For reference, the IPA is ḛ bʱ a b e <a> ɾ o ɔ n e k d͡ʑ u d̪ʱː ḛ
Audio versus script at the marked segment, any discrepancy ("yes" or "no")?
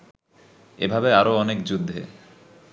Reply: no